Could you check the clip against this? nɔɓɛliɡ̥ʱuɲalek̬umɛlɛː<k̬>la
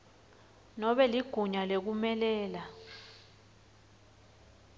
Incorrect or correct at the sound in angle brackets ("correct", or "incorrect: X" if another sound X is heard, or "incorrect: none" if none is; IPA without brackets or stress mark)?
incorrect: none